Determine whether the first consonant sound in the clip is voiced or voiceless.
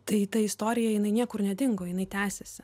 voiceless